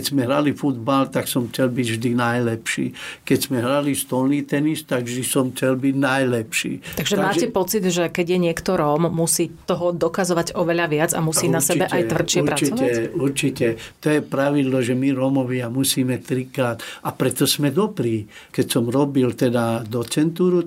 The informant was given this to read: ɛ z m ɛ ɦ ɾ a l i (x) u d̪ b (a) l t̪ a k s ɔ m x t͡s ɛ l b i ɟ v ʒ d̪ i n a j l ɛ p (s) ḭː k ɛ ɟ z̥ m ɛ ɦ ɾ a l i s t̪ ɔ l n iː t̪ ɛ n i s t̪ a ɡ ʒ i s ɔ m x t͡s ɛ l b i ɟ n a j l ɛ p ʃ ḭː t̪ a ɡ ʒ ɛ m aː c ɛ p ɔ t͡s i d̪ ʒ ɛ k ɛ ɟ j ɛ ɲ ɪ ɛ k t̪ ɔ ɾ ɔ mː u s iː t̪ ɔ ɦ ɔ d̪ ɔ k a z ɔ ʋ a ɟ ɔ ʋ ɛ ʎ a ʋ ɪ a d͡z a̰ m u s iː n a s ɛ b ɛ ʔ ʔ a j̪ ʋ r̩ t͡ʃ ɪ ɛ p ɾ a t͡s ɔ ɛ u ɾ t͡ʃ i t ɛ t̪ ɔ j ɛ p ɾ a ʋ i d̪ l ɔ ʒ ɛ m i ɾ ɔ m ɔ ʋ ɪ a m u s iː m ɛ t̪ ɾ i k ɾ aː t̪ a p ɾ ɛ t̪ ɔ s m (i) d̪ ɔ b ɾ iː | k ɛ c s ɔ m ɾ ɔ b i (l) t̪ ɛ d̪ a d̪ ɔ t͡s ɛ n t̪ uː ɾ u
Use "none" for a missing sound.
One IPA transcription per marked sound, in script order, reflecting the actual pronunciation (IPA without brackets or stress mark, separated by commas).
f, a, ʃ, ɛ, l